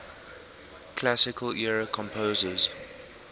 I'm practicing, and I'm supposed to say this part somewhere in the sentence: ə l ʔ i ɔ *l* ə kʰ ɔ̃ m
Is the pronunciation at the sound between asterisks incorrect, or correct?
incorrect